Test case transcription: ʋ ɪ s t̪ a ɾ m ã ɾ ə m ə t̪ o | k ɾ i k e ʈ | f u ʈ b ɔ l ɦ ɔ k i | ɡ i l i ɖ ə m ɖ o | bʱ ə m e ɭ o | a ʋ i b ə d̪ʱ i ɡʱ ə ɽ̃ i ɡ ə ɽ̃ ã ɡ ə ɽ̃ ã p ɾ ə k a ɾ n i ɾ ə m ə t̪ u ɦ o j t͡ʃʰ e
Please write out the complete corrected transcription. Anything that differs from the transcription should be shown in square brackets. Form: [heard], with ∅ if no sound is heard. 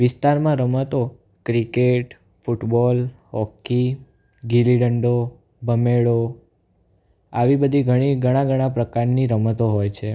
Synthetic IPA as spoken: ʋ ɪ s t̪ a ɾ m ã ɾ ə m ə t̪ o | k ɾ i k e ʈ | f u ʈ b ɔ l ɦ ɔ k i | ɡ i l i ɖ ə [ɳ] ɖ o | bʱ ə m e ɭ o | a ʋ i b ə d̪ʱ i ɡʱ ə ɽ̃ i ɡ ə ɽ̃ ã ɡ ə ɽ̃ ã p ɾ ə k a ɾ n i ɾ ə m ə t̪ [o] ɦ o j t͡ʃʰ e